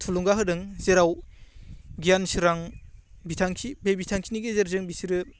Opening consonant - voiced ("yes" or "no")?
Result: no